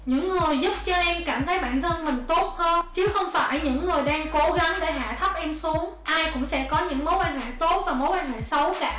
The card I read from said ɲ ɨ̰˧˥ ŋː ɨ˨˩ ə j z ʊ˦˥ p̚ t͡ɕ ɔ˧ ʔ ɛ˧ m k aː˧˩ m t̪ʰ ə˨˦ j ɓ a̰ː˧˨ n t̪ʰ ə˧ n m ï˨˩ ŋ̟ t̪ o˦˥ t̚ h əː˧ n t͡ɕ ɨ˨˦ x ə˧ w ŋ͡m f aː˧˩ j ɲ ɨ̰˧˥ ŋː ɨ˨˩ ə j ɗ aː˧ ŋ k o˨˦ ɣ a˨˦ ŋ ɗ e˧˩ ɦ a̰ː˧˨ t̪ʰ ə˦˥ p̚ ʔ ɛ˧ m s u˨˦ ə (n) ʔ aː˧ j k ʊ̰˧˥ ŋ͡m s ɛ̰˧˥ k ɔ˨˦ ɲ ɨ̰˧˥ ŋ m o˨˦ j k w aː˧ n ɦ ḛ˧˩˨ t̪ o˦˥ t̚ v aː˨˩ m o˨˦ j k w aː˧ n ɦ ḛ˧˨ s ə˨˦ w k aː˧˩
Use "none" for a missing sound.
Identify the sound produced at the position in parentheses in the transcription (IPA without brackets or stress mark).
ŋ